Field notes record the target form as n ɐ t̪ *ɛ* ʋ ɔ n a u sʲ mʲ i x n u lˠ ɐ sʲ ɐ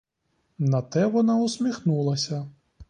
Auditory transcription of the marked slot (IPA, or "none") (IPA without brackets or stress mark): ɛ